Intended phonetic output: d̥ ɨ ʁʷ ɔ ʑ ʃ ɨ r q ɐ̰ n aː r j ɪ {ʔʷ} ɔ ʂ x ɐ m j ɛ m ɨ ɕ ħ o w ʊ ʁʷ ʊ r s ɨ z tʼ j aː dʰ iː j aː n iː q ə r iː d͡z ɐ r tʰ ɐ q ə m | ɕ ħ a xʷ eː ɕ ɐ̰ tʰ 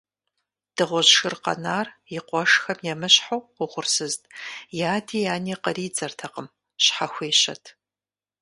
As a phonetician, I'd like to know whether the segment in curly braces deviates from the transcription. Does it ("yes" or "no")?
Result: yes